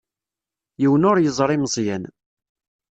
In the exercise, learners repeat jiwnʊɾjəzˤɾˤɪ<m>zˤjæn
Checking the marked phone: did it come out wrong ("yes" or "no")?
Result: no